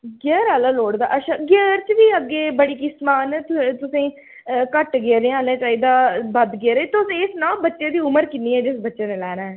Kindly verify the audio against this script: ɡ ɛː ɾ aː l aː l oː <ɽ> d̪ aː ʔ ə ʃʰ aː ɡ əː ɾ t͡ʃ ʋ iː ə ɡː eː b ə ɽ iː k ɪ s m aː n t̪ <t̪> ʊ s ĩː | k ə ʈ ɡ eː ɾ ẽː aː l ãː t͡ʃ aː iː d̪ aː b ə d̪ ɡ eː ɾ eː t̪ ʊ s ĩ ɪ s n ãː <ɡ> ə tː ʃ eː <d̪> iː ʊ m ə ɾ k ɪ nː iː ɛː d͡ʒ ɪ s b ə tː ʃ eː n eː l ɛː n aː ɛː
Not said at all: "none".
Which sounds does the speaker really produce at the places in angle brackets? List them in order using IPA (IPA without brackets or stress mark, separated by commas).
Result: ɽ, t̪, b, d̪